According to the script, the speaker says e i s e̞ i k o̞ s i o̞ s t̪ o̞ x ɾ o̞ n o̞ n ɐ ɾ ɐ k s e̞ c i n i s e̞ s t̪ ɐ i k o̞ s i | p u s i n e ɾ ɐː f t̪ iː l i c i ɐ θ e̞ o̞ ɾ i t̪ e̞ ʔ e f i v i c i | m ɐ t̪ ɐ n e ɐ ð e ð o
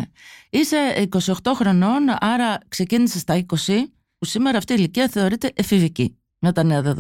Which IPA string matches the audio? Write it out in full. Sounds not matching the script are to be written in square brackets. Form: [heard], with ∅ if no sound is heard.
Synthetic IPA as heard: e i s e̞ i k o̞ s i o̞ [x] t̪ o̞ x ɾ o̞ n o̞ n ɐ ɾ ɐ k s e̞ c i n i s e̞ s t̪ ɐ i k o̞ s i | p u s i [m] e ɾ ɐː f t̪ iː l i c i ɐ θ e̞ o̞ ɾ i t̪ e̞ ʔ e f i v i c i | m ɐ t̪ ɐ n e ɐ ð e ð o